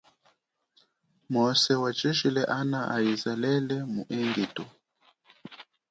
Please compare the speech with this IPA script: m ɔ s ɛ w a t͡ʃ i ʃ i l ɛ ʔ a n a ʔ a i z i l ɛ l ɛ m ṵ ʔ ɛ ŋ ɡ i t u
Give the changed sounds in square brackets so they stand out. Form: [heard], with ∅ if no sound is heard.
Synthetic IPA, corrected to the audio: m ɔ s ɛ w a t͡ʃ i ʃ i l ɛ ʔ a n a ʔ a i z [a] l ɛ l ɛ m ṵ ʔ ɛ ŋ ɡ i t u